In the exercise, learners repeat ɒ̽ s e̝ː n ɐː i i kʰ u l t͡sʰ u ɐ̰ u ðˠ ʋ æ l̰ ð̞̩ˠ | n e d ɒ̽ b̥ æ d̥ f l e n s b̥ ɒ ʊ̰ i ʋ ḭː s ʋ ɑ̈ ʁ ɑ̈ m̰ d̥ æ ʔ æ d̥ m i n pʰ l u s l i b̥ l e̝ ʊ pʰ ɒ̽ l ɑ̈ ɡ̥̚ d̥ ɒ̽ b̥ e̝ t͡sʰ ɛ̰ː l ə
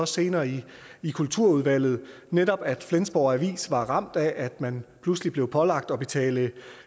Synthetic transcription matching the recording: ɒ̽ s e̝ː n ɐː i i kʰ u l t͡sʰ u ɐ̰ u ðˠ ʋ æ l̰ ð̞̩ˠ | n e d ɒ̽ b̥ æ d̥ f l e n s b̥ ɒ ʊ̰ æ ʋ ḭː s ʋ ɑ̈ ʁ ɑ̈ m̰ d̥ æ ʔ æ d̥ m æ n pʰ l u s l i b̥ l e̝ ʊ pʰ ɒ̽ l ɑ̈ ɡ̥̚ d̥ ɒ̽ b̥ e̝ t͡sʰ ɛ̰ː l ə